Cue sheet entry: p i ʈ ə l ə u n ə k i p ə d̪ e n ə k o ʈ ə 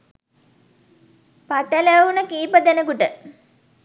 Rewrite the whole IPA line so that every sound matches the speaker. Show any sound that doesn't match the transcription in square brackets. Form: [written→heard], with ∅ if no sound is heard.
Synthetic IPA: p [i→a] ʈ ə l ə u n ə k [i→iː] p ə d̪ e n ə k [o→u] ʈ ə